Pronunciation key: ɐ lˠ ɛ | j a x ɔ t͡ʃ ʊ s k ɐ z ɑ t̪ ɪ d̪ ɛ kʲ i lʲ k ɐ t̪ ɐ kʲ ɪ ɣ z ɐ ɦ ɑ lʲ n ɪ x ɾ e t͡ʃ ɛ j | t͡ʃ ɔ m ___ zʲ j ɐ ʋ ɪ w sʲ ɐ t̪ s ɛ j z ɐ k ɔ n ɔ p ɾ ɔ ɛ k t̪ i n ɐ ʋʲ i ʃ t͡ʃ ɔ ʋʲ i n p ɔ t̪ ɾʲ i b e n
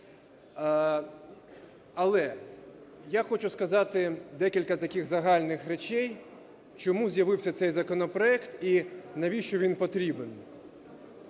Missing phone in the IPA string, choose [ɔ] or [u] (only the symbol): u